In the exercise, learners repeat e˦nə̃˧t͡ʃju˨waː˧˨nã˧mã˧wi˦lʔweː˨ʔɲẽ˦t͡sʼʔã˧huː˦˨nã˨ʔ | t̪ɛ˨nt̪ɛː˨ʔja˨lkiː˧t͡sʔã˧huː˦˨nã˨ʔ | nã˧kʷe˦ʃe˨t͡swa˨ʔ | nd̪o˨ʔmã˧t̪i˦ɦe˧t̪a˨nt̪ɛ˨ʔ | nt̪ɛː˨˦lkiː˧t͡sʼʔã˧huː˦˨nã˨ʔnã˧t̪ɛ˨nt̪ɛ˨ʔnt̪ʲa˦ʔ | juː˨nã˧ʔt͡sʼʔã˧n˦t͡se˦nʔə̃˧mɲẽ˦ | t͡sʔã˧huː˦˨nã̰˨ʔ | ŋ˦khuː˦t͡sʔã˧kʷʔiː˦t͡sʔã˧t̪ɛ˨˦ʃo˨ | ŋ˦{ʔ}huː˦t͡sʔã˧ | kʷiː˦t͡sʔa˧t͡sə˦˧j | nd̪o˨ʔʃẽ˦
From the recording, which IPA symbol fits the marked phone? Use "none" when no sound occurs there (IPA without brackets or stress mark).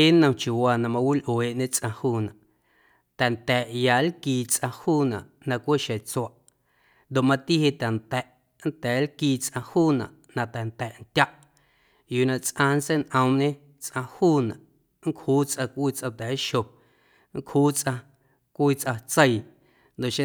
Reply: k